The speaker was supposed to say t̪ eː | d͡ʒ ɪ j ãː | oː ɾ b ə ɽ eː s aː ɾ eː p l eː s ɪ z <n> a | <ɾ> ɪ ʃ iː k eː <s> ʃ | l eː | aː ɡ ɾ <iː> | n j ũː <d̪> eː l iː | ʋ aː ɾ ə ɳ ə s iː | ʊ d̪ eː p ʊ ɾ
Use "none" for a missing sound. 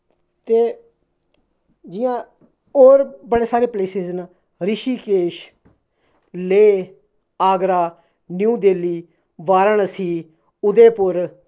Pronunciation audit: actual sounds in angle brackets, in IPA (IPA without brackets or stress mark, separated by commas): n, ɾ, none, aː, d̪